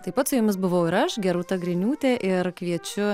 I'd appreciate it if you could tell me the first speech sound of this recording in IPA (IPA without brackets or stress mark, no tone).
t̪